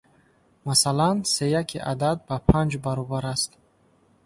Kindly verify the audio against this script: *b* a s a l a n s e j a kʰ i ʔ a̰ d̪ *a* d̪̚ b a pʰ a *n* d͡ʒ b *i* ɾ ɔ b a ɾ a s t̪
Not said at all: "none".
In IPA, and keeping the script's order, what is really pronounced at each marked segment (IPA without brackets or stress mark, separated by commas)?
m, a, n, a